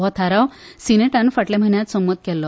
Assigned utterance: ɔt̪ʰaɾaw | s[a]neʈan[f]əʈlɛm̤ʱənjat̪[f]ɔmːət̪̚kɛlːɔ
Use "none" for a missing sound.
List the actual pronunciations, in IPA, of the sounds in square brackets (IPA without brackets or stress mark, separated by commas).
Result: i, f, s